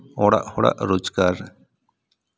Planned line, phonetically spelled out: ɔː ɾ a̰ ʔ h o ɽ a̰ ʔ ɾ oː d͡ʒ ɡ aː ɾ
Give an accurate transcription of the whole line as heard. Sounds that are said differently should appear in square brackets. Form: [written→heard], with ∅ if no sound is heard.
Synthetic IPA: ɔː [ɾ→ɽ] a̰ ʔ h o ɽ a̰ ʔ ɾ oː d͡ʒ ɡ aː ɾ